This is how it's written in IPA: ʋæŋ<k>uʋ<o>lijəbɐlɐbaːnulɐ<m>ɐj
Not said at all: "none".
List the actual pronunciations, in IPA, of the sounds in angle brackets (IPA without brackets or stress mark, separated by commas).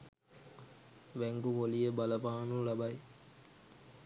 ɡ, o, b